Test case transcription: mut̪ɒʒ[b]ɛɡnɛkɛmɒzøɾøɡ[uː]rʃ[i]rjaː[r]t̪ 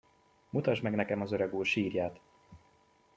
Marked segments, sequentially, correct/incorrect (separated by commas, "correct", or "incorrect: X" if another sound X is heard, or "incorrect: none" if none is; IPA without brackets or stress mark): incorrect: m, correct, incorrect: iː, incorrect: none